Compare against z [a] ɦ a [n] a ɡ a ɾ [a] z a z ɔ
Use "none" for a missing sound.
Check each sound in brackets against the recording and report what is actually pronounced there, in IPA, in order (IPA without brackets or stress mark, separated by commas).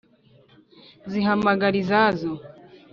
i, m, i